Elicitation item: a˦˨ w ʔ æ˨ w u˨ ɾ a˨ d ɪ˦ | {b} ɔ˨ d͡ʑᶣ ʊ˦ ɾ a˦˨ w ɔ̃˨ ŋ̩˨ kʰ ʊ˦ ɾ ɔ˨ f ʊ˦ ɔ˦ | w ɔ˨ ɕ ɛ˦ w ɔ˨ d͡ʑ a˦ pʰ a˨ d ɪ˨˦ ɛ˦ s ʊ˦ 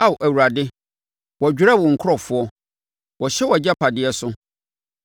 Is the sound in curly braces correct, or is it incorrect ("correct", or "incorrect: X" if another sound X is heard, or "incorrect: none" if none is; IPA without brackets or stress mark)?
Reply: incorrect: w